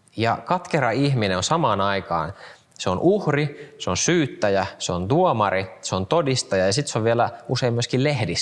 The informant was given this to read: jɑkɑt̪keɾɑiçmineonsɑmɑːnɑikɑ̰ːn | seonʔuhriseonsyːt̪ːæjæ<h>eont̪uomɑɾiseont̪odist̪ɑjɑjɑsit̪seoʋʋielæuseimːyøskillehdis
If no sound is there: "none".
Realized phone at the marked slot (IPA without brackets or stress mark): s